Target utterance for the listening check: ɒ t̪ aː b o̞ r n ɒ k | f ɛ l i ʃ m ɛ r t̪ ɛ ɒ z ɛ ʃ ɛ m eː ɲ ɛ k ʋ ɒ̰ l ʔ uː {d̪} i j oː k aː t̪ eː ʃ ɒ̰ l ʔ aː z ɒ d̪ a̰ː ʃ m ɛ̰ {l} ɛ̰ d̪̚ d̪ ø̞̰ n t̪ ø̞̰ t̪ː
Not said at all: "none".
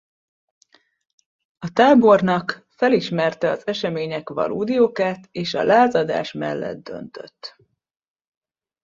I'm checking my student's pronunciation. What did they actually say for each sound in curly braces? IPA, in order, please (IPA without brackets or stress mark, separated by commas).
d̪, lː